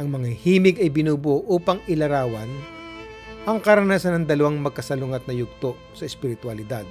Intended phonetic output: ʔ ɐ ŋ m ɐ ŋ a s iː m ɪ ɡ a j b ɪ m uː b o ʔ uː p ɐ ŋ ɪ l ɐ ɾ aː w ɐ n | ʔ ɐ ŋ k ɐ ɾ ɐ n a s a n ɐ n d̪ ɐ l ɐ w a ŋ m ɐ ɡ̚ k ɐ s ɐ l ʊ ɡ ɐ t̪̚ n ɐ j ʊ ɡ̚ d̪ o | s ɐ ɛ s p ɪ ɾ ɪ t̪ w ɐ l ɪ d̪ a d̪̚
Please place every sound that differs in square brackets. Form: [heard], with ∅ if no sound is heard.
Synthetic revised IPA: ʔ ɐ ŋ m ɐ ŋ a [h] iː m ɪ ɡ [ɐ] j b ɪ [n] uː b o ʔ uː p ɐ ŋ ɪ l ɐ ɾ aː w ɐ n | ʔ ɐ ŋ k ɐ ɾ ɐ n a s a n ɐ [ŋ] d̪ ɐ l ɐ w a ŋ m ɐ ɡ̚ k ɐ s ɐ l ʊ [ŋ] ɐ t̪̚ n ɐ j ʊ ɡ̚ [t̪] o | s ɐ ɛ s p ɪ ɾ ɪ t̪ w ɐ l ɪ d̪ a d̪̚